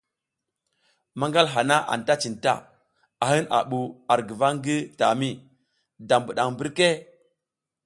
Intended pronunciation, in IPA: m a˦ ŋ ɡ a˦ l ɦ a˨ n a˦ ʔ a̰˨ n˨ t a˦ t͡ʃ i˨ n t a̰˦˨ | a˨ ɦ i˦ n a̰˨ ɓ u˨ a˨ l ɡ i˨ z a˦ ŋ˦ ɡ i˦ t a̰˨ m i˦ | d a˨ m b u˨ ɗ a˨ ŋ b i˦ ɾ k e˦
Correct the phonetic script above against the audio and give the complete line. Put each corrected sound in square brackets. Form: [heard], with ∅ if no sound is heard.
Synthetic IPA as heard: m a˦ ŋ ɡ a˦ l ɦ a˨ n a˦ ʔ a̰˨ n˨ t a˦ t͡ʃ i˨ n t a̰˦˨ | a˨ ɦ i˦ n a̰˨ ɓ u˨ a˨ [ɾ] ɡ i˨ [v] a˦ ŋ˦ ɡ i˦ t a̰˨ m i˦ | d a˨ m b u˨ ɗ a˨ ŋ b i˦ ɾ k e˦